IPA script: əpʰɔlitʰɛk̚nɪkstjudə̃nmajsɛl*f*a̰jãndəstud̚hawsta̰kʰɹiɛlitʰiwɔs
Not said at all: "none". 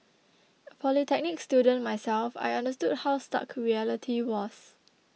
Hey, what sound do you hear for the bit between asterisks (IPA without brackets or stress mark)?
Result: f